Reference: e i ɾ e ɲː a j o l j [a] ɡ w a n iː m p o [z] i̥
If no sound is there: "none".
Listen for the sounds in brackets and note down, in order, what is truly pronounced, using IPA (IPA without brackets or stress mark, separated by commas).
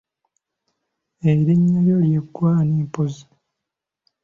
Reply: e, z